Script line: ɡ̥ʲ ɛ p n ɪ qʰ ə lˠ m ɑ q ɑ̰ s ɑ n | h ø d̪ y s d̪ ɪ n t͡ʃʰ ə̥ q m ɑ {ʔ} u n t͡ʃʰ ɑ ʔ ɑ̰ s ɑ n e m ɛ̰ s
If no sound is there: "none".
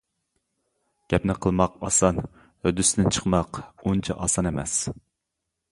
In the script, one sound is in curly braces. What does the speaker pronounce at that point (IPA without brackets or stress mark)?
q